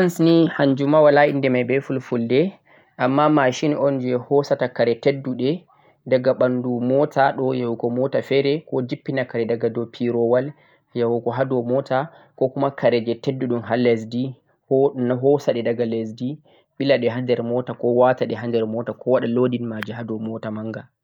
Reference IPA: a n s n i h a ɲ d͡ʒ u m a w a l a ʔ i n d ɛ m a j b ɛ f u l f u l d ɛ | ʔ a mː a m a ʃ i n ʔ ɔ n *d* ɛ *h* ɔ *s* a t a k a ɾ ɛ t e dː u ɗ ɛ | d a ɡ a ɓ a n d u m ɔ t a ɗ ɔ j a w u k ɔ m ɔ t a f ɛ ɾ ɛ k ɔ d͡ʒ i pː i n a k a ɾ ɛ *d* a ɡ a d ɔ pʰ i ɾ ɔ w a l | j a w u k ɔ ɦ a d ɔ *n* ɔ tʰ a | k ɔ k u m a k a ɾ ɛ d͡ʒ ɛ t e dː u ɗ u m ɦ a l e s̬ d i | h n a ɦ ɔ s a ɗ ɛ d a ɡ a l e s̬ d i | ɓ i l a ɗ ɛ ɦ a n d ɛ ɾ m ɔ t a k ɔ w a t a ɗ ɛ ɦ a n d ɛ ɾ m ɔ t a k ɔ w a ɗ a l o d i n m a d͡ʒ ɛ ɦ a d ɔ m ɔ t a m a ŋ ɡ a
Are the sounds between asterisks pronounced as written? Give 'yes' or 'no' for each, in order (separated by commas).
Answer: no, yes, yes, yes, no